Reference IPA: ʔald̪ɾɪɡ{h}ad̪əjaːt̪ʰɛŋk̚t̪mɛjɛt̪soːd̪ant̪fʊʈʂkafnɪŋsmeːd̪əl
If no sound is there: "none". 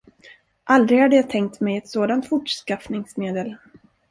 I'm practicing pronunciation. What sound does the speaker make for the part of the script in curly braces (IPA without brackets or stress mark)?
h